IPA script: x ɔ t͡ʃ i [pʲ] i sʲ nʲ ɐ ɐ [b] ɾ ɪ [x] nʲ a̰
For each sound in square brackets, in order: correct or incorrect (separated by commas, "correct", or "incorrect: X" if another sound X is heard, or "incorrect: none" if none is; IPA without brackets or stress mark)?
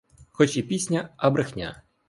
correct, correct, correct